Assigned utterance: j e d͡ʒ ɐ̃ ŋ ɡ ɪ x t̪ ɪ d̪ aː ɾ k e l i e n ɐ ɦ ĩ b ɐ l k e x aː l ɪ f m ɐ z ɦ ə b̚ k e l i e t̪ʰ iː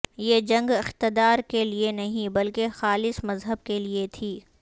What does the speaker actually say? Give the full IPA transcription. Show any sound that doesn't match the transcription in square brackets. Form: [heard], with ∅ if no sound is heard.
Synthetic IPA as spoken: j e d͡ʒ ɐ̃ ŋ ɡ ɪ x t̪ ɪ d̪ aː ɾ k e l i e n ɐ ɦ ĩ b ɐ l k e x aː l ɪ [s] m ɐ z ɦ ə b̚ k e l i e t̪ʰ iː